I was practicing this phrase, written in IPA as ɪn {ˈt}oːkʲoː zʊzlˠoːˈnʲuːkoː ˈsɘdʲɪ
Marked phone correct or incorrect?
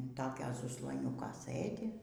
correct